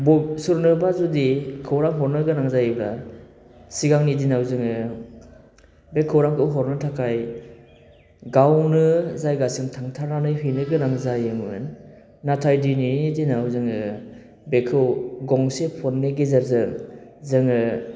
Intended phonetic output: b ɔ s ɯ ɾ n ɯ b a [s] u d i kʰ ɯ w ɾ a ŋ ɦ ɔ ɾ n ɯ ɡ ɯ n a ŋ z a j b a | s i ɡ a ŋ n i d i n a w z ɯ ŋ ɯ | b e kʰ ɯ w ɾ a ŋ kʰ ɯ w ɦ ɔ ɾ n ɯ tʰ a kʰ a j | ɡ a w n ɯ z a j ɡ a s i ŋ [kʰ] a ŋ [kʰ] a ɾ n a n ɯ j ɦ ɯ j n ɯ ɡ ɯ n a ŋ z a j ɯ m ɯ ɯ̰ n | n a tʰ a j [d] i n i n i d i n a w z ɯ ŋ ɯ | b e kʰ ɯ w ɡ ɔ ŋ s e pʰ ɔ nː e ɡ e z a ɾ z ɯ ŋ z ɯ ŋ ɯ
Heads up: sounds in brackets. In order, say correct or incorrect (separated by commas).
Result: incorrect, incorrect, incorrect, correct